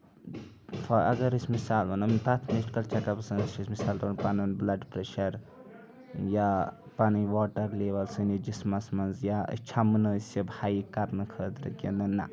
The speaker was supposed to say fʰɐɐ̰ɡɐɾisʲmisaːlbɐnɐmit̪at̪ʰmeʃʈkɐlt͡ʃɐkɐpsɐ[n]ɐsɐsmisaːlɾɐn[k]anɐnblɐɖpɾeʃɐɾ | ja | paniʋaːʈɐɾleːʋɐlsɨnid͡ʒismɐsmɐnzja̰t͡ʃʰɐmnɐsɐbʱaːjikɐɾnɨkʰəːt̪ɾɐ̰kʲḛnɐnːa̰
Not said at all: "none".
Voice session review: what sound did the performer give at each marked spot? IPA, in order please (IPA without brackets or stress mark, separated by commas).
n, p